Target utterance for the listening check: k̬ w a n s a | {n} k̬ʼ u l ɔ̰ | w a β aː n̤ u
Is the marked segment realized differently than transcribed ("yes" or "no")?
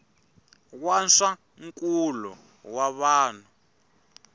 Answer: yes